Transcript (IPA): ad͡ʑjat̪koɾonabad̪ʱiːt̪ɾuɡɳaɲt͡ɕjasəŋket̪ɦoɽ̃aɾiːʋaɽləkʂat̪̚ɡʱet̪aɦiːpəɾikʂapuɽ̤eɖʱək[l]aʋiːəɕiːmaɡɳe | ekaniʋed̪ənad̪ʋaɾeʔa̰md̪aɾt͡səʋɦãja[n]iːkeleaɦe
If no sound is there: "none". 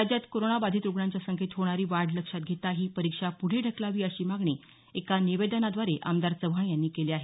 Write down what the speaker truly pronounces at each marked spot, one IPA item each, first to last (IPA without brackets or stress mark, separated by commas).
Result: l, nː